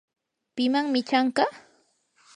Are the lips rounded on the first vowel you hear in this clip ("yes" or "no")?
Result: no